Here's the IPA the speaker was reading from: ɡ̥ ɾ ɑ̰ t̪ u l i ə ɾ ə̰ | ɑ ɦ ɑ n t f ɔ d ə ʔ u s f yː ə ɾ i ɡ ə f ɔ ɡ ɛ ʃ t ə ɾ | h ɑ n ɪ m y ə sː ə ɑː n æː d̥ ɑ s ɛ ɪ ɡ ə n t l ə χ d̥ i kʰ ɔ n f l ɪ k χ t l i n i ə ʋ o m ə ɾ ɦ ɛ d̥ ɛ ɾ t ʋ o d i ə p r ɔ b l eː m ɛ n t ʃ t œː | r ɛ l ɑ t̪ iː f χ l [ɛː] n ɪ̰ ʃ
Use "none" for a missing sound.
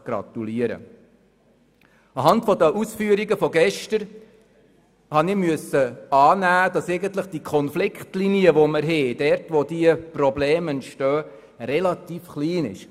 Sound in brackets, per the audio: iː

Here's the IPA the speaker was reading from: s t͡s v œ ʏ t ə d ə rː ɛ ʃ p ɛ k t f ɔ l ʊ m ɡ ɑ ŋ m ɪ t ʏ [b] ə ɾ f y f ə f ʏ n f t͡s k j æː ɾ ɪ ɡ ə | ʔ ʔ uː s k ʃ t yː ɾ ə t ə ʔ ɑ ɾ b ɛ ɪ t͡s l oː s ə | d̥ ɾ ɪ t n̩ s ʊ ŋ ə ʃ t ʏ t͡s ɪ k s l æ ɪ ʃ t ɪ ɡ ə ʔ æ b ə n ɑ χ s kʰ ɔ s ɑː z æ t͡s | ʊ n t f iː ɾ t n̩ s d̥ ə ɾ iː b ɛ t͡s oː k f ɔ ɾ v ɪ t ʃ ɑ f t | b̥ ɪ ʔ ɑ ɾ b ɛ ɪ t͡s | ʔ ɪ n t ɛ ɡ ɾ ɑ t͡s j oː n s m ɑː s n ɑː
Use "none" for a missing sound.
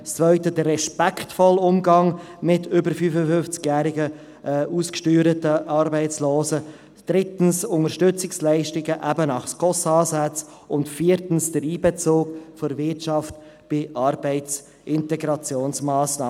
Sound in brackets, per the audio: b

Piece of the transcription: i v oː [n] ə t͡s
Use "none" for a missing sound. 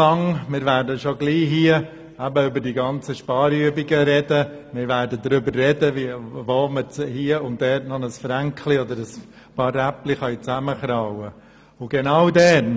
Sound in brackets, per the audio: m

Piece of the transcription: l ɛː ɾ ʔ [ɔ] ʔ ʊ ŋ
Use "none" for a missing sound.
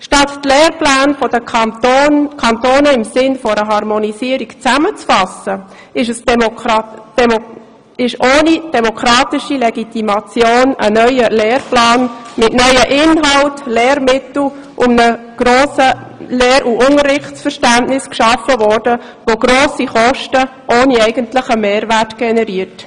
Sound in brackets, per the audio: u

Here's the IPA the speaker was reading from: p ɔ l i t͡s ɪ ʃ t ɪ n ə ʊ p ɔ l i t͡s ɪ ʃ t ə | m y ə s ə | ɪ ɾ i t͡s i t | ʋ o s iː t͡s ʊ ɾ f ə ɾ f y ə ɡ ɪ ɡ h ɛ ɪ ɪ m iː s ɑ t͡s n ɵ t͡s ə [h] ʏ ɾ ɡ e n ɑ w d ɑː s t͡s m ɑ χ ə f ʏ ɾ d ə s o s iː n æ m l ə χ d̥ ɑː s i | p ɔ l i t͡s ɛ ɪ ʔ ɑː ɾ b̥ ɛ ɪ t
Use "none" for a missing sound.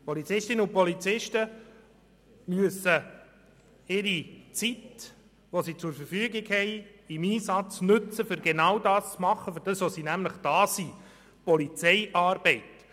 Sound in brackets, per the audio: f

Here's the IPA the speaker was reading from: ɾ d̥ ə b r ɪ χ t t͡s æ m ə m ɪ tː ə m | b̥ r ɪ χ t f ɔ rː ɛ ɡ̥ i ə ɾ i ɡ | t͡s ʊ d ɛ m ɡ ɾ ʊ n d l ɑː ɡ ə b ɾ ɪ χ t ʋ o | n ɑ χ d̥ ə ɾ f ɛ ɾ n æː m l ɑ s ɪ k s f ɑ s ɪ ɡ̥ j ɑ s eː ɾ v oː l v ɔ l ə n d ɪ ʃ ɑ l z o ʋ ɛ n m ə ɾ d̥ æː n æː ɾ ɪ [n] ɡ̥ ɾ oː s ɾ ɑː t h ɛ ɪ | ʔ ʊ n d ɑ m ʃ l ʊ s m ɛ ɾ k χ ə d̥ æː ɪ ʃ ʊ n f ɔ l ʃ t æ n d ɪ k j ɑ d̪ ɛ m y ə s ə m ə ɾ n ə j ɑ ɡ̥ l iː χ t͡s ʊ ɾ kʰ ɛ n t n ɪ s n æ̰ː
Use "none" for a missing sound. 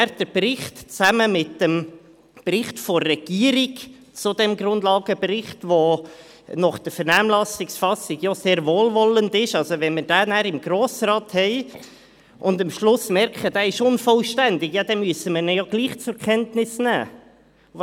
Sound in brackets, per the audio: m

